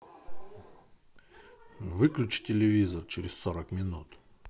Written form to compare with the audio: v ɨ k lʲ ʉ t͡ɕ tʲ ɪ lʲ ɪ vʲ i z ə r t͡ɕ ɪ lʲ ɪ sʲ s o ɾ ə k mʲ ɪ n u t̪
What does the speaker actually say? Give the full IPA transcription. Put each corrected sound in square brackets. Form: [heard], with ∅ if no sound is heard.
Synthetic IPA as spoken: v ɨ k lʲ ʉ t͡ɕ tʲ ɪ lʲ ɪ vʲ i z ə r t͡ɕ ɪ [ɾʲ] ɪ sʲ s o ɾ ə k mʲ ɪ n u t̪